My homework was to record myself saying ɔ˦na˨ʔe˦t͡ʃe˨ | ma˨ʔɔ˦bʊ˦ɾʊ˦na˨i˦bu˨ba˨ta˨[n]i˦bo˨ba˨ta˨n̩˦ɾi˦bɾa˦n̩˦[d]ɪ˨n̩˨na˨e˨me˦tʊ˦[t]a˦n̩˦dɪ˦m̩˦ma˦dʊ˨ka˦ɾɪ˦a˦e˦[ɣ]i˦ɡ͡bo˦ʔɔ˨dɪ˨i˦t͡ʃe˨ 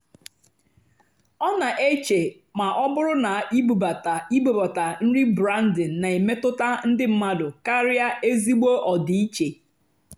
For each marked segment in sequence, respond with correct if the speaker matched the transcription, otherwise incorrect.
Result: incorrect, correct, correct, incorrect

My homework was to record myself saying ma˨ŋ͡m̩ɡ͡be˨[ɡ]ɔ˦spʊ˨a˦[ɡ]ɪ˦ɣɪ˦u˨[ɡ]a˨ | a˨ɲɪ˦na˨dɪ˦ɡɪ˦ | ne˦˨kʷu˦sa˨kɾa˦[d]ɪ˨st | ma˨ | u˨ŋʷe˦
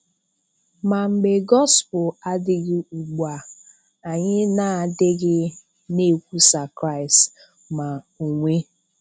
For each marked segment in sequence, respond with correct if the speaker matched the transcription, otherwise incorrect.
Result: correct, incorrect, incorrect, incorrect

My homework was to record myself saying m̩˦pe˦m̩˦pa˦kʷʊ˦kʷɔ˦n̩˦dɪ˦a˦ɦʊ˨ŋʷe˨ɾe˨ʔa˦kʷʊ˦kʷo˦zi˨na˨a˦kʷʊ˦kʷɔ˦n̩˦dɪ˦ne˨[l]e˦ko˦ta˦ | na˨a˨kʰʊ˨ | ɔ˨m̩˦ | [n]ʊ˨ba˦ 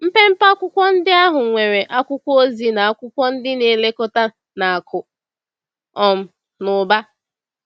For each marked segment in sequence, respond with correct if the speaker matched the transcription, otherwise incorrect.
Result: correct, correct

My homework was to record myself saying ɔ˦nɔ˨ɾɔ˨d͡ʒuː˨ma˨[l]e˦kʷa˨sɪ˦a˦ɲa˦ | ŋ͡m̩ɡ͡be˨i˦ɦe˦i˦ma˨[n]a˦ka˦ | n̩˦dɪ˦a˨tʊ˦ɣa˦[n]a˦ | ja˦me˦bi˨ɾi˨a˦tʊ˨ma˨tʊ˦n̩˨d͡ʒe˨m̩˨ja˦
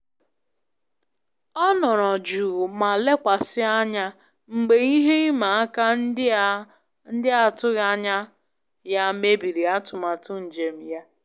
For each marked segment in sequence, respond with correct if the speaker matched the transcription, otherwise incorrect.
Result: correct, incorrect, incorrect

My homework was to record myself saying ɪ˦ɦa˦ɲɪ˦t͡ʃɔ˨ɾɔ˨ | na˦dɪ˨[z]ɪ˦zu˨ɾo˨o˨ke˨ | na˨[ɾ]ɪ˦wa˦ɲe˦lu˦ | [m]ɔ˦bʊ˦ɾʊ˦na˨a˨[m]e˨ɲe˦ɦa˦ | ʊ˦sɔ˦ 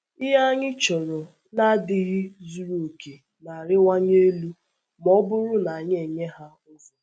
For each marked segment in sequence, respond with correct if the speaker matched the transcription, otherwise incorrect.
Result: incorrect, correct, correct, incorrect

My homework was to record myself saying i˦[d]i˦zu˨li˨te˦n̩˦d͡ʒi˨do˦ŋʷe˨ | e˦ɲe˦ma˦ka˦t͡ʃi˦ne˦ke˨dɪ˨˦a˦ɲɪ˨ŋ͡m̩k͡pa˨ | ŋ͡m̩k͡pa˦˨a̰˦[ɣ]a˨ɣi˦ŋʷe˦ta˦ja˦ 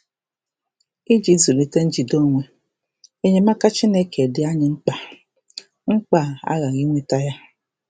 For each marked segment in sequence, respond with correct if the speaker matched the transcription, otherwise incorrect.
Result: incorrect, correct

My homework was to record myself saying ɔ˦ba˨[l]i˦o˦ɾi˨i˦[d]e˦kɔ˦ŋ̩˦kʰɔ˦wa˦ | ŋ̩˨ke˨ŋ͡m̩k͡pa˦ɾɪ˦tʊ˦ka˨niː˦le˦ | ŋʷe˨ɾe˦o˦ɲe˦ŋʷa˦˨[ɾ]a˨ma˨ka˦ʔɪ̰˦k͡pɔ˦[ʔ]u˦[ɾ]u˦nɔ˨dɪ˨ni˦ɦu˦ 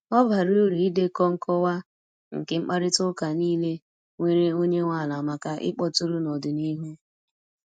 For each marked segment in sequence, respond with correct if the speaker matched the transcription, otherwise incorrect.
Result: incorrect, correct, incorrect, incorrect, correct

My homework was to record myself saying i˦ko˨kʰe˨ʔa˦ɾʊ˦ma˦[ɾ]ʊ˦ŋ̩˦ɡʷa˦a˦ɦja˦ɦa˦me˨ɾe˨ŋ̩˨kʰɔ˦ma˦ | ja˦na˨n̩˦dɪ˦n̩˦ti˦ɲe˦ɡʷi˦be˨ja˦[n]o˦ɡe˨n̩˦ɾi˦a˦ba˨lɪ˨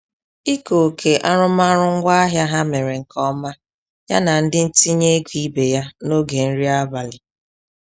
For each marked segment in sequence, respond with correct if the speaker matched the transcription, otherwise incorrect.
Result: correct, correct

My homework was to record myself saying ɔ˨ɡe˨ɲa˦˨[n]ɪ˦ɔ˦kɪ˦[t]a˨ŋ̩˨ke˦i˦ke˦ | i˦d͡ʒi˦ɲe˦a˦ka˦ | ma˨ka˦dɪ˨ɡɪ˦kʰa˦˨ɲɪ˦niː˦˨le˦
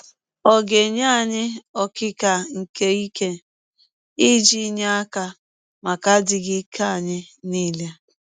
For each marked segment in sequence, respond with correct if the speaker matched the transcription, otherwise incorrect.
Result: incorrect, incorrect

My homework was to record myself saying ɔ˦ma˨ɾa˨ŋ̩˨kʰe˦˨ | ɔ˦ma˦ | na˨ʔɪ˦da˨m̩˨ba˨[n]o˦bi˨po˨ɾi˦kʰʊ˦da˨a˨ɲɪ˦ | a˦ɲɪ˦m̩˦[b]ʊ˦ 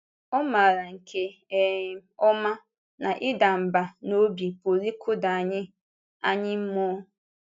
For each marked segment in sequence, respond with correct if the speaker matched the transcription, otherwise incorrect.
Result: correct, incorrect

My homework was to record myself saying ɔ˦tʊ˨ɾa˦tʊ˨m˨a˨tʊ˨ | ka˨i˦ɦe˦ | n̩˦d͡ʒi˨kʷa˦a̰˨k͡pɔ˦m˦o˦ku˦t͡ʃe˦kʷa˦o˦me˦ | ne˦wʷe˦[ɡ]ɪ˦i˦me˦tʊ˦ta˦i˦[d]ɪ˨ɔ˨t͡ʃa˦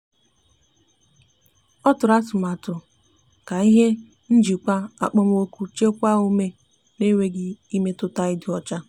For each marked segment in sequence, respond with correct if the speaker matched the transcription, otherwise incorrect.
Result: correct, correct

